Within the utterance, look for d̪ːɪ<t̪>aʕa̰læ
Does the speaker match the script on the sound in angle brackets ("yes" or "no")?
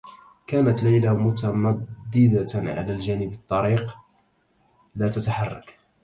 no